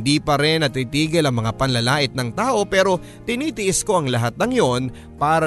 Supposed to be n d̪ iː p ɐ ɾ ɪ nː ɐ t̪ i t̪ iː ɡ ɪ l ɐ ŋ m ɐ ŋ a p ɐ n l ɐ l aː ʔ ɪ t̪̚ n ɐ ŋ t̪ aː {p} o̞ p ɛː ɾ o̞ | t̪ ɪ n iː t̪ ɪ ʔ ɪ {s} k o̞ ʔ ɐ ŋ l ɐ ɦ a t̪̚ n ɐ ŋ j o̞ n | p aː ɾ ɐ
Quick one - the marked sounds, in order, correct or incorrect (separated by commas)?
incorrect, correct